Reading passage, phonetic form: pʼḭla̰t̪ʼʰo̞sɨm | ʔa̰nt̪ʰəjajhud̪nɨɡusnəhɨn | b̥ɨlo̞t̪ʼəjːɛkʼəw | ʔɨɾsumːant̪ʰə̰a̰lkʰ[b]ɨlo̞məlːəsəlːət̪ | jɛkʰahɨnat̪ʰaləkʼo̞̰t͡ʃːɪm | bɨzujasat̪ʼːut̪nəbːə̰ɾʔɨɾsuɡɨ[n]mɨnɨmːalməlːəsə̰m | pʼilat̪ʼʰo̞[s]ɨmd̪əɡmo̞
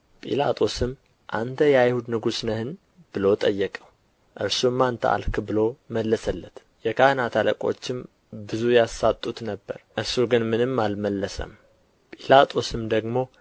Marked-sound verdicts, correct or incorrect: correct, correct, correct

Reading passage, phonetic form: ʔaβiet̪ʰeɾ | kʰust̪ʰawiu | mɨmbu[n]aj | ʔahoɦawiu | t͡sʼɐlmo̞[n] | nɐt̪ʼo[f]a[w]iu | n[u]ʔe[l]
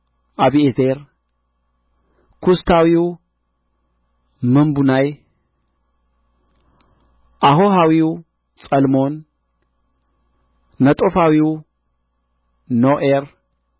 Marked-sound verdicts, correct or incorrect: correct, correct, correct, correct, incorrect: o, incorrect: ɾ

